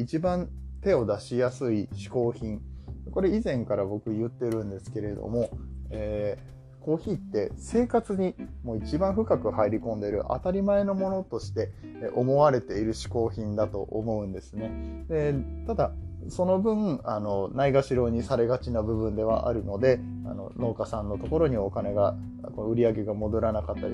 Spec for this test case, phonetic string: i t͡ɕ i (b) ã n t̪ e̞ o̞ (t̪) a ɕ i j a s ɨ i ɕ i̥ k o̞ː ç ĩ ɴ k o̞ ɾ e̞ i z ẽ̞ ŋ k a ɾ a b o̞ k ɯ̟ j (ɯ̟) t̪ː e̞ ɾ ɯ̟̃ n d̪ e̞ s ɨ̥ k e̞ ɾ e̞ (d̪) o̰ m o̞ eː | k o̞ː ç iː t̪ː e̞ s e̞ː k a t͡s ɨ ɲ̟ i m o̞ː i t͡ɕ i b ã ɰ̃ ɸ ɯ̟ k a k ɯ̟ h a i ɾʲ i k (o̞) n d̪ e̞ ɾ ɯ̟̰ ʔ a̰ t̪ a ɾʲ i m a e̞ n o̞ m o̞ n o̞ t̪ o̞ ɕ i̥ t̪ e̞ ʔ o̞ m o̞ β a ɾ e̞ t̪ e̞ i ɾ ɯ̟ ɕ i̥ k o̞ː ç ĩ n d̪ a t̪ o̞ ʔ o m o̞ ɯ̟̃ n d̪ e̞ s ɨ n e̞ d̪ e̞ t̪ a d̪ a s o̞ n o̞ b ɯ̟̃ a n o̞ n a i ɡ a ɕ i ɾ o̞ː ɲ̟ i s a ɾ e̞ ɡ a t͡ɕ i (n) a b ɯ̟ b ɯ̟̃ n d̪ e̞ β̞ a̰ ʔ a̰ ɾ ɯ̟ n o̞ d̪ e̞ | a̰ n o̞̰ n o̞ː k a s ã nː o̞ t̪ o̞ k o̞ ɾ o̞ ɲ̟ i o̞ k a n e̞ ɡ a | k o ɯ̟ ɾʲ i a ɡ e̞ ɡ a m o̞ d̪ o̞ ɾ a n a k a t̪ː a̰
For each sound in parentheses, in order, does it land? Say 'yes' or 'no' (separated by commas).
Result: yes, no, yes, yes, no, yes